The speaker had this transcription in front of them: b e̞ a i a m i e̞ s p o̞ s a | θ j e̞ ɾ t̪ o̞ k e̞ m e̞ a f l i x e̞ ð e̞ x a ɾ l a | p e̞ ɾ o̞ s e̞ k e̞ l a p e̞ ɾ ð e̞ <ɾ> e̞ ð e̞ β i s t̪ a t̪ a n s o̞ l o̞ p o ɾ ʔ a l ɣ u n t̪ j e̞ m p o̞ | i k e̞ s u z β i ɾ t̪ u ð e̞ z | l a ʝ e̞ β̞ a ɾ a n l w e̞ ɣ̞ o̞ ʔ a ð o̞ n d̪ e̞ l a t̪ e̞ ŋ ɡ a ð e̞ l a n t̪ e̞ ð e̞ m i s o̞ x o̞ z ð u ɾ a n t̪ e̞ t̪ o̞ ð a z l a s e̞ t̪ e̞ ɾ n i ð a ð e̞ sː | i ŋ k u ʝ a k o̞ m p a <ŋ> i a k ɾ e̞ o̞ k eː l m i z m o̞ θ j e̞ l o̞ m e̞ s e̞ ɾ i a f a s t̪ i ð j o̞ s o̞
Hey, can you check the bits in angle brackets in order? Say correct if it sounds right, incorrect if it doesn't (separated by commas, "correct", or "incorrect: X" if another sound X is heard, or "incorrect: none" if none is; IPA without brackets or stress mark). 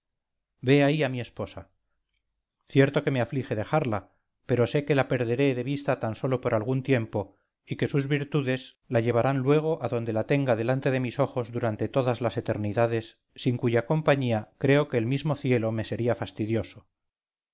correct, incorrect: ɲ